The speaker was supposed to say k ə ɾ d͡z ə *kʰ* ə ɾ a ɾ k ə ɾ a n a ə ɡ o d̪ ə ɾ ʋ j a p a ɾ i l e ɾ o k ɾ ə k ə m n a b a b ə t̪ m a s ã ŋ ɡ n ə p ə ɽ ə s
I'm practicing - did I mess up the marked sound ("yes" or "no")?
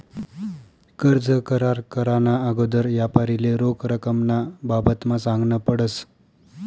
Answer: yes